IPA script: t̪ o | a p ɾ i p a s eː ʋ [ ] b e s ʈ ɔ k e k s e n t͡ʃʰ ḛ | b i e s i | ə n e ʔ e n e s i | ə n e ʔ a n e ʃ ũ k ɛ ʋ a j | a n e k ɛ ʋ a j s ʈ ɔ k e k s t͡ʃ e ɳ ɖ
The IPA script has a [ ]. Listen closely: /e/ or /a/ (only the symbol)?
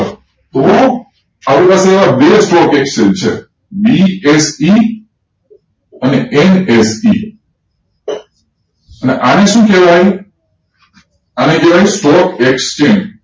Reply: a